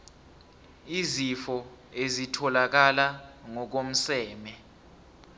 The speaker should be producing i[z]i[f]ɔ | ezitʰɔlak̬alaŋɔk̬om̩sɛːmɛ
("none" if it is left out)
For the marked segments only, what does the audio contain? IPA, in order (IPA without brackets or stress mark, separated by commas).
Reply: z, f